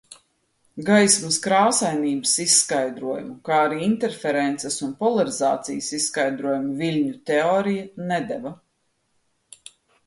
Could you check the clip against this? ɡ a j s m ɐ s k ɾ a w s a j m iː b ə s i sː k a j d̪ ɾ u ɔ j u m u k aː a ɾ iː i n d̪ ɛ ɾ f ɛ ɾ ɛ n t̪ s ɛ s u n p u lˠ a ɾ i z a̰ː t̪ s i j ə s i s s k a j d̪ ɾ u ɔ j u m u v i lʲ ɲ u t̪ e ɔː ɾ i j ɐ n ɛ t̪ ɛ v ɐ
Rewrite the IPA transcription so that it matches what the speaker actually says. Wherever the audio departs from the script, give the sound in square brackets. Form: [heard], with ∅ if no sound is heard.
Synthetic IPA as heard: ɡ a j s m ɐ s k ɾ a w s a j [n] iː b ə s i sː k a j d̪ ɾ u ɔ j u m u k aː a ɾ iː i n [t̪] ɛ ɾ f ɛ ɾ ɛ n t̪ s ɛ s u n p [ɔ] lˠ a ɾ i z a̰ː t̪ s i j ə s i s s k a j d̪ ɾ u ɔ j u m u v i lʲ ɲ u t̪ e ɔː ɾ i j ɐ n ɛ [d̪] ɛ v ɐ